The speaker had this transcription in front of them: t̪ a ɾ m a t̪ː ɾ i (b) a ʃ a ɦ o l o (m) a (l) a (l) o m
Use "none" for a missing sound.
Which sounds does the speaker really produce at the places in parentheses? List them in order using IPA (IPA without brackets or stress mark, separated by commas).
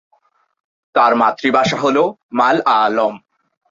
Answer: b, m, l, l